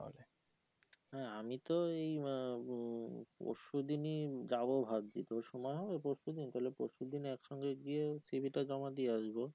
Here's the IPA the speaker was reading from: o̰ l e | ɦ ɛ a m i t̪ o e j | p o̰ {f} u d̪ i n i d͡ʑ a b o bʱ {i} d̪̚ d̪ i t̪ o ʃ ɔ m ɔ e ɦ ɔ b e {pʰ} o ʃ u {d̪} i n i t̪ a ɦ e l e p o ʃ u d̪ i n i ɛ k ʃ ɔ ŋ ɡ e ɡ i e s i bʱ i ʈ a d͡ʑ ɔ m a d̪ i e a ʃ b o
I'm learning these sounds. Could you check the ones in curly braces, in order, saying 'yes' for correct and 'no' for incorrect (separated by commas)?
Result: no, no, no, yes